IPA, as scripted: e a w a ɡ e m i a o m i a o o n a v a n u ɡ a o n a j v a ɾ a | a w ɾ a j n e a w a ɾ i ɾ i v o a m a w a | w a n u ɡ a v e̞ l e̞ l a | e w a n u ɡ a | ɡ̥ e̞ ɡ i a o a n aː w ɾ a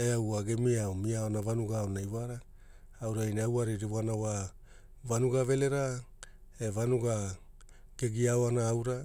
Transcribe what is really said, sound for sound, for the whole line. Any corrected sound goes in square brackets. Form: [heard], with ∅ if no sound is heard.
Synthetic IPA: e a w a ɡ e m i a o m i a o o n a v a n u ɡ a o n a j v a ɾ a | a w ɾ a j n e a w a ɾ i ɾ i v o a [n] a w a | [v] a n u ɡ a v e̞ l e̞ [ɾ] a | e [v] a n u ɡ a | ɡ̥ e̞ ɡ i a o a n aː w ɾ a